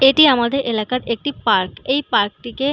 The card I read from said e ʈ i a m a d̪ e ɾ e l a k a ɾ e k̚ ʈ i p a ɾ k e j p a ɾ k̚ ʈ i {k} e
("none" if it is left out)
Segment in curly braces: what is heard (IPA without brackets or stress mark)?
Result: k